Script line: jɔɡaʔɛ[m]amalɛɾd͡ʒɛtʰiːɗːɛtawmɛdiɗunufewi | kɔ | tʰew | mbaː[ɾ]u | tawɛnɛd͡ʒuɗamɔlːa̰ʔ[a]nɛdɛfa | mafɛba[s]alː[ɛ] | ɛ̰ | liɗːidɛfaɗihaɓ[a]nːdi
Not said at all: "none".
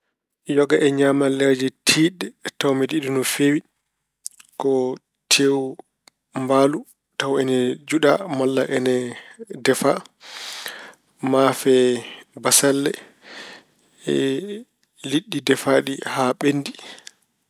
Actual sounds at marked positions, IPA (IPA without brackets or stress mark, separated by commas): ɲ, l, ɛ, s, ɛ, e